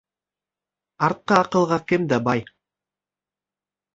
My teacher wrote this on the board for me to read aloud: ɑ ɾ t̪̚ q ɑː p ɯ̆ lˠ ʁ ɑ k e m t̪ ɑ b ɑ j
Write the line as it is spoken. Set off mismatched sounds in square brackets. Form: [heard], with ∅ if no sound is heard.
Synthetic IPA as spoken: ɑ ɾ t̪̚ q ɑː [q] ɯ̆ lˠ ʁ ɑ k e m [d̪] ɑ b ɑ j